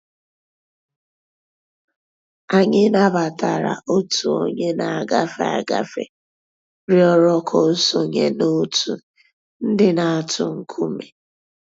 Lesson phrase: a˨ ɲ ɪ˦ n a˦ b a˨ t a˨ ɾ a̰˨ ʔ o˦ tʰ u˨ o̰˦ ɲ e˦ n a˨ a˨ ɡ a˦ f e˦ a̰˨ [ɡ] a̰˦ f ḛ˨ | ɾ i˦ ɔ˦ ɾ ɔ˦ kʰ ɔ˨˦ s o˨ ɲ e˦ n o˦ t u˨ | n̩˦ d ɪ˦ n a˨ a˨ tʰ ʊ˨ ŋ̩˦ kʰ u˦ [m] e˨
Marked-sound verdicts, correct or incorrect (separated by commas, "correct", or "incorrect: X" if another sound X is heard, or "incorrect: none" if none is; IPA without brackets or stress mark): correct, correct